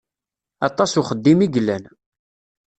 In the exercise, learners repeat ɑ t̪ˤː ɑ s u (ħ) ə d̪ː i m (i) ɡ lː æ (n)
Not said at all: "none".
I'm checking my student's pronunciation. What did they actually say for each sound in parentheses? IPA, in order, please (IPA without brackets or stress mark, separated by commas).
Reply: χ, i, n